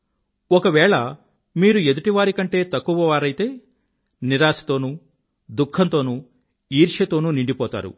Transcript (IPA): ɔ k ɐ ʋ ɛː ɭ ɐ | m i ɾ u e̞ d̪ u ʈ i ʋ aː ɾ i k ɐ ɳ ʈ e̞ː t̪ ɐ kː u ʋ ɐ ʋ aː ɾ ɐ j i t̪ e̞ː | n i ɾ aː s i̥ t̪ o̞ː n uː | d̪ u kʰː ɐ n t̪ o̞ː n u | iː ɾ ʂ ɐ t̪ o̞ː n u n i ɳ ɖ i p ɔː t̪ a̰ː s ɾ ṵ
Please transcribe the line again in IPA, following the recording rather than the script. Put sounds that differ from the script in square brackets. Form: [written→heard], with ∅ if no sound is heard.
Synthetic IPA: ɔ k ɐ ʋ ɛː ɭ ɐ | m [i→iː] ɾ u e̞ d̪ u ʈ i ʋ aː ɾ i k ɐ ɳ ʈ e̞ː t̪ ɐ kː u ʋ ɐ ʋ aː ɾ ɐ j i t̪ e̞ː | n i ɾ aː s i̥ t̪ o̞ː n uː | d̪ u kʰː ɐ n t̪ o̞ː n u | iː ɾ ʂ ɐ t̪ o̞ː n u n i ɳ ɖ i p ɔː t̪ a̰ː [s→∅] ɾ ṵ

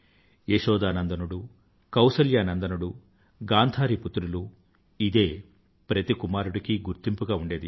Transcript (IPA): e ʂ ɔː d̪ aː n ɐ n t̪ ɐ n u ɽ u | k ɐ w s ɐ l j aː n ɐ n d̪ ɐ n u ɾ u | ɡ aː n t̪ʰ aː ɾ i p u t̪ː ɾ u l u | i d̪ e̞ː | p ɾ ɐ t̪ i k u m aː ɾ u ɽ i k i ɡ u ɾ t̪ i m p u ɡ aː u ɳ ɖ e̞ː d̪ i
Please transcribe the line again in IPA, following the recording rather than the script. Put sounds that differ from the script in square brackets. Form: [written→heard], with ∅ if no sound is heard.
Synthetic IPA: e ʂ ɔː d̪ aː n ɐ n [t̪→d̪] ɐ n u ɽ u | k ɐ w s ɐ l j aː n ɐ n d̪ ɐ n u [ɾ→ɽ] u | ɡ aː n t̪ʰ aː ɾ i p u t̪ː ɾ u l u | i d̪ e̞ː | p ɾ ɐ t̪ i k u m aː ɾ u ɽ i k i ɡ u ɾ t̪ i m p u ɡ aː u ɳ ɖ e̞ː d̪ i

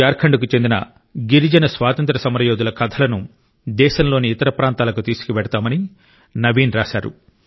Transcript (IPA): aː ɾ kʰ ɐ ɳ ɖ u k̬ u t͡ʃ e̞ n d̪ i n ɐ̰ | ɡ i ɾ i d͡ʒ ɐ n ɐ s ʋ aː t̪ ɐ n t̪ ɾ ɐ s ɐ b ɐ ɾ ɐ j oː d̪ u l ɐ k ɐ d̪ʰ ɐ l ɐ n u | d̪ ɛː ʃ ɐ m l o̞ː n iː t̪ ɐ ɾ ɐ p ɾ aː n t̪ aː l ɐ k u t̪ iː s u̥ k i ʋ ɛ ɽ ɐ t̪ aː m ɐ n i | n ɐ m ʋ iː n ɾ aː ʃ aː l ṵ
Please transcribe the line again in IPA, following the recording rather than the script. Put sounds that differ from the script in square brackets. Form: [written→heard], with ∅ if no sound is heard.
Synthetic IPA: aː ɾ kʰ ɐ ɳ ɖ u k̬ u t͡ʃ e̞ n d̪ i n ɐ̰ | ɡ i ɾ i d͡ʒ ɐ n ɐ s ʋ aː t̪ ɐ n t̪ ɾ ɐ s ɐ [b→m] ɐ ɾ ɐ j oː d̪ u l ɐ k ɐ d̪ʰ ɐ l ɐ n u | d̪ ɛː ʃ ɐ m l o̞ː n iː t̪ ɐ ɾ ɐ p ɾ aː n t̪ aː l ɐ k u t̪ iː s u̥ k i ʋ ɛ ɽ ɐ t̪ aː m ɐ n i | n ɐ [m→∅] ʋ iː n ɾ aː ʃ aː [l→ɾ] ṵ

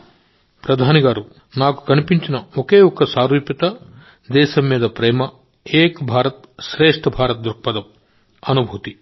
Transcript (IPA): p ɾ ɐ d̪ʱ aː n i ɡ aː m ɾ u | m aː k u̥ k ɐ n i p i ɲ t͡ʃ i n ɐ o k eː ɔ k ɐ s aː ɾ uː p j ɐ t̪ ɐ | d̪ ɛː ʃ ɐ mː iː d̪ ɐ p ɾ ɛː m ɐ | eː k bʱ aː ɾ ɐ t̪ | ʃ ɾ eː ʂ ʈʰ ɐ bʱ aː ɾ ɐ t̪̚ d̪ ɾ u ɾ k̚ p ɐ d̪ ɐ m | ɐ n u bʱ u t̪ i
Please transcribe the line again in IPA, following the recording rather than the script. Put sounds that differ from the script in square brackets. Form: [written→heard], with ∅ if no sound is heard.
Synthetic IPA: p ɾ ɐ d̪ʱ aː n i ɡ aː [m→∅] ɾ u | [m→n] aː k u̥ k ɐ n i p i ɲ t͡ʃ i n ɐ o k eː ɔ k ɐ s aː ɾ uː p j ɐ t̪ ɐ | d̪ ɛː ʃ ɐ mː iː d̪ ɐ p ɾ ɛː m ɐ | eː k bʱ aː ɾ ɐ t̪ | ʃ ɾ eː ʂ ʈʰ ɐ bʱ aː ɾ ɐ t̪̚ d̪ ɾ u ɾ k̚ p ɐ d̪ ɐ m | ɐ n u bʱ u t̪ i

